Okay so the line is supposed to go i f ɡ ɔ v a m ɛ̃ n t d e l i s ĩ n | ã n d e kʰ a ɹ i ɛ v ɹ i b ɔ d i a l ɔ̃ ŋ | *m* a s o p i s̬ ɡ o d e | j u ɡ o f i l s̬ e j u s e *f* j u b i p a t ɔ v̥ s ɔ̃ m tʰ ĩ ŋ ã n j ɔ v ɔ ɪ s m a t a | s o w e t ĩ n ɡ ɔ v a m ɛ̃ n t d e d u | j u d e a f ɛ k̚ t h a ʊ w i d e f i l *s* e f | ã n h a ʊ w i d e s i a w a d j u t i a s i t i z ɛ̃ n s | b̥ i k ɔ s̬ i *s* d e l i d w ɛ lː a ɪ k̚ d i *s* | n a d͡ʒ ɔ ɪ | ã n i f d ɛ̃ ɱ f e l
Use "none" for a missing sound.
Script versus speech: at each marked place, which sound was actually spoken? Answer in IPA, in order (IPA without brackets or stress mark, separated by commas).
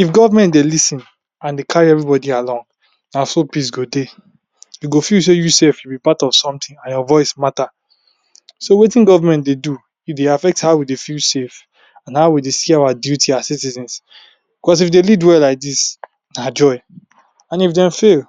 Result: n, f, s, f, s